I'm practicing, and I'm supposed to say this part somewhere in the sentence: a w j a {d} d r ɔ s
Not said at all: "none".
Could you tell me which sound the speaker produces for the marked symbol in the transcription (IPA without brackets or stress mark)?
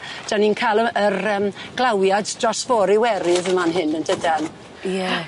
d